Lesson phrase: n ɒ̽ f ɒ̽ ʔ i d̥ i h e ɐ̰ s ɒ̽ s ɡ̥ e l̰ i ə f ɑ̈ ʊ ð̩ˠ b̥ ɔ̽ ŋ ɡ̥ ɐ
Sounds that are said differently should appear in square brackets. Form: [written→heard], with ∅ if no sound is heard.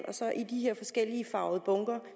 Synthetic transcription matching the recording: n ɒ̽ [f→s] ɒ̽ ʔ i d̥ i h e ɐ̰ [s→f] ɒ̽ s ɡ̥ e l̰ i ə f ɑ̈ ʊ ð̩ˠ b̥ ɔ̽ ŋ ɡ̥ ɐ